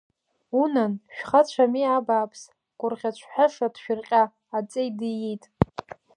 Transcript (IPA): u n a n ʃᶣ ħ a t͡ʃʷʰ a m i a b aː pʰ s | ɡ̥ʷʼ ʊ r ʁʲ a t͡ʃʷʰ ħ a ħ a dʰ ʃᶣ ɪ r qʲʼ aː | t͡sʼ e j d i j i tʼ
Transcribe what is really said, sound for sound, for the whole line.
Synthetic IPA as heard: u n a n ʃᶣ χ a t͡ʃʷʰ a m i a b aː pʰ s | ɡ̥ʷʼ ʊ r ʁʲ a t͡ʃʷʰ ħ a ʂ a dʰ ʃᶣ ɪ r qʲʼ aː | t͡sʼ e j d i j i tʼ